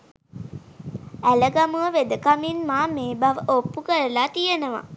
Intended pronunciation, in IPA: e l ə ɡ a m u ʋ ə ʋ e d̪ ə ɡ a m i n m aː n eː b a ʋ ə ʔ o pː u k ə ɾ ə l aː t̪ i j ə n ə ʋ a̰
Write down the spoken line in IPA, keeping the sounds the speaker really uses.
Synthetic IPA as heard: æ l ə ɡ a m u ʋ ə ʋ e d̪ ə k a m i n m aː m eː b a ʋ ə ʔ o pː u k ə ɾ ə l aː t̪ i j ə n ə ʋ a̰